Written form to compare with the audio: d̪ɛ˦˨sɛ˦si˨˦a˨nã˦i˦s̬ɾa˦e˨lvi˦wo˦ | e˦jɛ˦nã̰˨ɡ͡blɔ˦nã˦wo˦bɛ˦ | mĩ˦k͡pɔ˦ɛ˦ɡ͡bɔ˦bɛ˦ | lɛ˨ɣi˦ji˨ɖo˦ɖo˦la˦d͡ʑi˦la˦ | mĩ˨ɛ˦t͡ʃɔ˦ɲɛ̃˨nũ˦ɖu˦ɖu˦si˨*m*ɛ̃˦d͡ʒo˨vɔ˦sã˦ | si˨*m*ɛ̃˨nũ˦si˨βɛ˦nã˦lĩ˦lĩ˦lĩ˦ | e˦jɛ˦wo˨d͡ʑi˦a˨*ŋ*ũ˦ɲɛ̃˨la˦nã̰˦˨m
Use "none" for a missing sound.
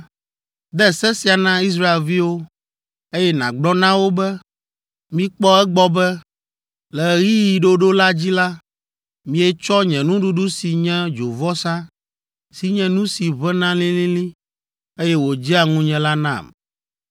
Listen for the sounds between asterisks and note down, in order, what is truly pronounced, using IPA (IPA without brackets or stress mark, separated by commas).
ɲ, ɲ, ŋ